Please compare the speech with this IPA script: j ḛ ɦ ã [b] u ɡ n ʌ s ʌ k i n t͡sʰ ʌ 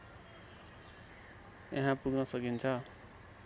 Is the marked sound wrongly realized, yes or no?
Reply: yes